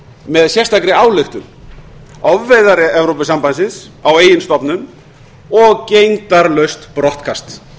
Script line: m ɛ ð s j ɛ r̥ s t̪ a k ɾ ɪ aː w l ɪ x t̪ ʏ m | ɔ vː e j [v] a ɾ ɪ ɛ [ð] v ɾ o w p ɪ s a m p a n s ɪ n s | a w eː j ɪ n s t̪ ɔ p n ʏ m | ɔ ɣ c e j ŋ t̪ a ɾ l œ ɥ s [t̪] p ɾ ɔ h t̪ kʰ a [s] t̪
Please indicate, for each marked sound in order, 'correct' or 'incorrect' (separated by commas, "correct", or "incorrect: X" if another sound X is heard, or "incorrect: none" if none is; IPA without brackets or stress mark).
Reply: incorrect: ð, incorrect: none, correct, correct